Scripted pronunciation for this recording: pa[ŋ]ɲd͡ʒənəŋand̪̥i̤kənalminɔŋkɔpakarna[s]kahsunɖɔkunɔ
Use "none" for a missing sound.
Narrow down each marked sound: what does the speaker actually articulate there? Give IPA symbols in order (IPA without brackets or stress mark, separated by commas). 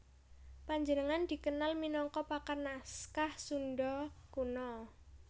none, s